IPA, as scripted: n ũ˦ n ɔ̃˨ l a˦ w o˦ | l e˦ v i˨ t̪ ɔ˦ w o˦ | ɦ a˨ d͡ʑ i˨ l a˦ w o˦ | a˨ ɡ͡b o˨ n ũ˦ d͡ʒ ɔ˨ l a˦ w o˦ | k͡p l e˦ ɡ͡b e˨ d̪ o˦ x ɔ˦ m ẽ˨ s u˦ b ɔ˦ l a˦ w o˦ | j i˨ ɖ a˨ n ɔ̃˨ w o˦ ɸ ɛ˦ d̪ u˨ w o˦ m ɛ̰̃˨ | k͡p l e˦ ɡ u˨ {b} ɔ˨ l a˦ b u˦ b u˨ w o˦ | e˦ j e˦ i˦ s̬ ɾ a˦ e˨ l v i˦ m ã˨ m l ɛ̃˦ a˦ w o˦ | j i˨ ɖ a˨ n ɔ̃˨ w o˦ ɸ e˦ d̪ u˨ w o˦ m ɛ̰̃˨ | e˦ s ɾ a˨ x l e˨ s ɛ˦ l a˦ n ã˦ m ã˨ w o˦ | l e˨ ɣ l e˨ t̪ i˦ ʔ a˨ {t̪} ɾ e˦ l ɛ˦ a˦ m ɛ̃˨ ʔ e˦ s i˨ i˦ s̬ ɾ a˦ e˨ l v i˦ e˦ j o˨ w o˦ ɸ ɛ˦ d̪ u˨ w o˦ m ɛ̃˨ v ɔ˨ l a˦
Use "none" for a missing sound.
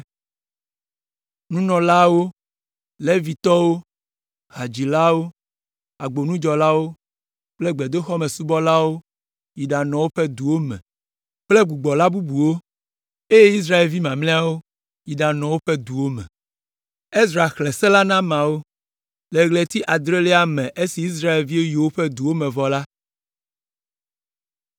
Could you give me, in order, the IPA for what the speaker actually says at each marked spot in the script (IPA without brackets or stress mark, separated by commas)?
ɡ͡b, d̪